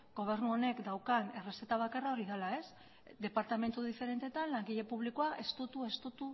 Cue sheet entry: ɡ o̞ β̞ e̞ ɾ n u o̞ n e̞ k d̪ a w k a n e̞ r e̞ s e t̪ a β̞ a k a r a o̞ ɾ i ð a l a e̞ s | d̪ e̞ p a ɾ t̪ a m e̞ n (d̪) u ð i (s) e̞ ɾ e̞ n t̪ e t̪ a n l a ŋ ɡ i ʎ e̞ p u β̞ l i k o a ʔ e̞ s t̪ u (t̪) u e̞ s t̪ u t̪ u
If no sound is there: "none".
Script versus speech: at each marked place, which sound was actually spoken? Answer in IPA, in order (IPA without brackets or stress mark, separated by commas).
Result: t̪, f, t̪